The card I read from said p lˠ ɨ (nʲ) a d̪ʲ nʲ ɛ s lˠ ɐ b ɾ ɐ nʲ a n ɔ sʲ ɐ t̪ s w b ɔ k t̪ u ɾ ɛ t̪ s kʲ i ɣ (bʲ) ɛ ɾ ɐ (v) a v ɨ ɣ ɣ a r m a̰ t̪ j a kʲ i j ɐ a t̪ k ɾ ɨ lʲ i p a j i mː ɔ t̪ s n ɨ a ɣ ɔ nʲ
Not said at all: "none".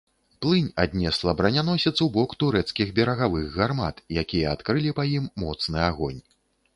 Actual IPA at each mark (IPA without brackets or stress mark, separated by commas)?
nʲ, bʲ, ɣ